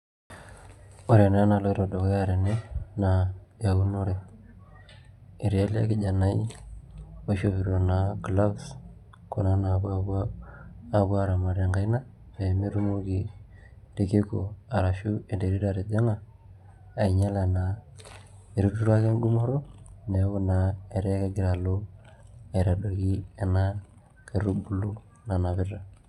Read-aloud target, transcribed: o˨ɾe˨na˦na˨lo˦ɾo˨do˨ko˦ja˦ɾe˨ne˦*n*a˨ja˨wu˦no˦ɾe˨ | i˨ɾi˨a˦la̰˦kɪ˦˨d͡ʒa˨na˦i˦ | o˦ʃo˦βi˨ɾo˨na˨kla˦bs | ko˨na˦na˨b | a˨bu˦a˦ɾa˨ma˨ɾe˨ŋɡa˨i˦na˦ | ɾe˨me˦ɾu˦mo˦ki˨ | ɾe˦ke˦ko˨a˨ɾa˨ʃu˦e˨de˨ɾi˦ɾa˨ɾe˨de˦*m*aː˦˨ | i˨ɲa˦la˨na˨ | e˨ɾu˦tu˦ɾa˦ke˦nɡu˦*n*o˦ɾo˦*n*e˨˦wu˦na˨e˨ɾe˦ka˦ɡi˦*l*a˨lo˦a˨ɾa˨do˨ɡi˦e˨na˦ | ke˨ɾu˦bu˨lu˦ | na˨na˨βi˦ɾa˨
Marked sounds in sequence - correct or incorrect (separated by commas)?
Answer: correct, incorrect, incorrect, correct, incorrect